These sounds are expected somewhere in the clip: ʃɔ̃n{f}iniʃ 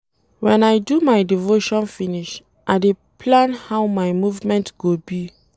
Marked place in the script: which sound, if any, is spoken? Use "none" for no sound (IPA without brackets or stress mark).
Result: f